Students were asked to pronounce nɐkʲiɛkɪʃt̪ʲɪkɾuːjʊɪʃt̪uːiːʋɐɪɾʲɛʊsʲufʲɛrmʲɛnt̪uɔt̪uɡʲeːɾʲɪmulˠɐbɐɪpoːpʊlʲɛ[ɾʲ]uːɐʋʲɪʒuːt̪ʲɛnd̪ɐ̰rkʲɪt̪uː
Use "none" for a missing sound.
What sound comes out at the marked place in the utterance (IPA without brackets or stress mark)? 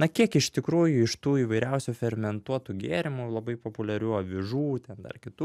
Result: ɾʲ